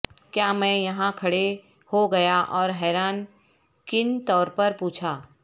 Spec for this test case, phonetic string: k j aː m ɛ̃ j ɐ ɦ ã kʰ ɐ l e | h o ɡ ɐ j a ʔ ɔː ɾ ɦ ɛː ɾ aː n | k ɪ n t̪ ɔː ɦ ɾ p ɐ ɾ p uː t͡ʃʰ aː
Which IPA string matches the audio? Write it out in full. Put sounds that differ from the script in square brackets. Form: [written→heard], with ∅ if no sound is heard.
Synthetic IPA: k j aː m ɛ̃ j ɐ ɦ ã kʰ ɐ [l→ɽ] e | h o ɡ ɐ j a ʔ ɔː ɾ ɦ ɛː ɾ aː n | k ɪ n t̪ ɔː [ɦ→∅] ɾ p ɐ ɾ p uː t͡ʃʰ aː